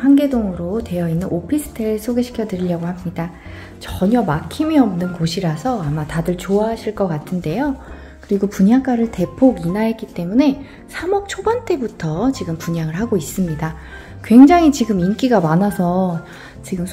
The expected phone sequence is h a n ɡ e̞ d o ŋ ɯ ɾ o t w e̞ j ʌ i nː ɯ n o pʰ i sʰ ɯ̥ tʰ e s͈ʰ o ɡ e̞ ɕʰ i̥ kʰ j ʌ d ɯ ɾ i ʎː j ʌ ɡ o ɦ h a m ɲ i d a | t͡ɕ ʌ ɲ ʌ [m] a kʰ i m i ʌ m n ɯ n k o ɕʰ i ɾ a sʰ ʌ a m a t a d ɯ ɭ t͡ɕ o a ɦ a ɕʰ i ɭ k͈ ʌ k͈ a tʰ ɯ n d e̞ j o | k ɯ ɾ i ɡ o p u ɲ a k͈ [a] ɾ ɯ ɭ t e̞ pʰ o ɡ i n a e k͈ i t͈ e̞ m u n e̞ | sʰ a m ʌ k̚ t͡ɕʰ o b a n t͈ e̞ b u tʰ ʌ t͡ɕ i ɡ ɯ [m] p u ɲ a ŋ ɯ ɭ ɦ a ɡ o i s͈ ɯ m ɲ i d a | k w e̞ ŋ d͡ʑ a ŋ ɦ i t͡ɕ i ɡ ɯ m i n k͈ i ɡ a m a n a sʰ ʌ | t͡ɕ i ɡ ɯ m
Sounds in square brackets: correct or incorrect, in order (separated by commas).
correct, correct, correct